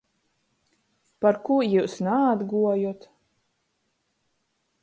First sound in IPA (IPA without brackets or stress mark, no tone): p